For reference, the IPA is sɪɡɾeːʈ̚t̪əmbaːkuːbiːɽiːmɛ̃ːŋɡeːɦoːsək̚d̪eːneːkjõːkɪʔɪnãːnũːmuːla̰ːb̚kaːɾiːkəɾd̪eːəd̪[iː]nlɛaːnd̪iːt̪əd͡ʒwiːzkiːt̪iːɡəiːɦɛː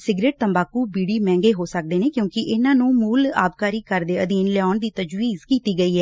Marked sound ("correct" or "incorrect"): correct